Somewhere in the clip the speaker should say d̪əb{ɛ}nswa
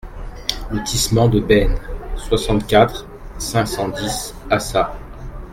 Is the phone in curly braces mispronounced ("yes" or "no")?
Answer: no